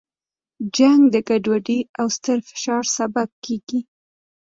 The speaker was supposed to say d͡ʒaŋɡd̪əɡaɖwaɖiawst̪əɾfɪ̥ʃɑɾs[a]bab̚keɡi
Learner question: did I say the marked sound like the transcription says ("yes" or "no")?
yes